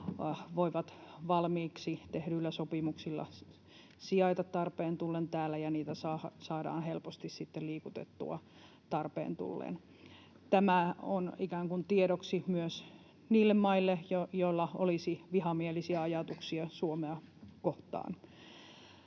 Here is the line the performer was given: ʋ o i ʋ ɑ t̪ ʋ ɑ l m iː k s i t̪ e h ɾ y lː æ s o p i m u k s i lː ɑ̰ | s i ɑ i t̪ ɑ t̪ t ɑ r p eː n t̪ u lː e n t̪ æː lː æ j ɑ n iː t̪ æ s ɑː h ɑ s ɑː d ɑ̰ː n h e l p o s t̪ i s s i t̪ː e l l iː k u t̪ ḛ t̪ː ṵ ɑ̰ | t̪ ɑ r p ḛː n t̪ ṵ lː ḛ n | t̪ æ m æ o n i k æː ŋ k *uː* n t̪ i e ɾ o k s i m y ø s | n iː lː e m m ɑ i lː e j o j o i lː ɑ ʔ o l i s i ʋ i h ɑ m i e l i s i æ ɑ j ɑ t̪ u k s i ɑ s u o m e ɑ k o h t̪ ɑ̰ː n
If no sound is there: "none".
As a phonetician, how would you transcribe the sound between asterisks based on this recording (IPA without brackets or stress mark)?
u